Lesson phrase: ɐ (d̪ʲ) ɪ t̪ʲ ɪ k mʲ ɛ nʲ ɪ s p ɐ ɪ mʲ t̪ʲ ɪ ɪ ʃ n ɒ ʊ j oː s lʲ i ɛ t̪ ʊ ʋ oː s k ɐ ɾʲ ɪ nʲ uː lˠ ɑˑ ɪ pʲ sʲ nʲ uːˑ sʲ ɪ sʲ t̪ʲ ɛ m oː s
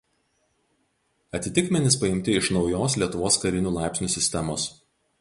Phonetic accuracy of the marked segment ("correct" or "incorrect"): incorrect